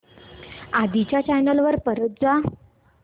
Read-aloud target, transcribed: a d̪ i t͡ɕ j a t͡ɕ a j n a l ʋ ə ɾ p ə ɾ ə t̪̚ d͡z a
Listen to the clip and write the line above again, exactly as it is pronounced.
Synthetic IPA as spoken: a d̪ i t͡ɕ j a t͡ɕ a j n ə l ʋ ə ɾ p ə ɾ ə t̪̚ d͡z a